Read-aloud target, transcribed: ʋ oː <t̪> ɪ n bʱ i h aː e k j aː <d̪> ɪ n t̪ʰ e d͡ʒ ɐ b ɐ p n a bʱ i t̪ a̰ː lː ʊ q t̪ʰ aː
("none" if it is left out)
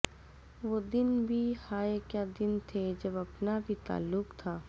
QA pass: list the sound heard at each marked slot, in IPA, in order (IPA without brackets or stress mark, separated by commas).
d̪, d̪